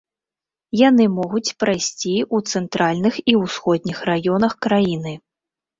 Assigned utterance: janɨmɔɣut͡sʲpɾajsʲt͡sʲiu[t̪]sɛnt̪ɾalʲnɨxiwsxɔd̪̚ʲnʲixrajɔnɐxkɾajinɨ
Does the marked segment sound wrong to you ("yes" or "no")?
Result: no